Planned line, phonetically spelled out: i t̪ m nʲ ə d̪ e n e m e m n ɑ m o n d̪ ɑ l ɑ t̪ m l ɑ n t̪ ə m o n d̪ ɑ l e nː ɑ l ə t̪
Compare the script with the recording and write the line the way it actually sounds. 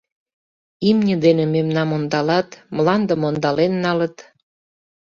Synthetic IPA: i m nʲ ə d̪ e n e m e m n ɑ m o n d̪ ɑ l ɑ t̪ m l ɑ n d̪ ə m o n d̪ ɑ l e nː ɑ l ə t̪